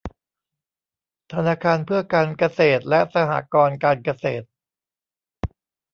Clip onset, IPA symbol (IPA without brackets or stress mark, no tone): t̪ʰ